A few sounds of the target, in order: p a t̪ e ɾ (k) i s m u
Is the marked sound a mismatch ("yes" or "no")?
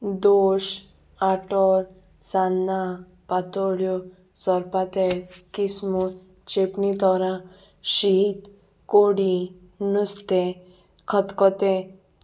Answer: no